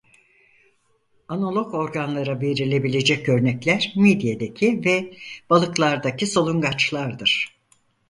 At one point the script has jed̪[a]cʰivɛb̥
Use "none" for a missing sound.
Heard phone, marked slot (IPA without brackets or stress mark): e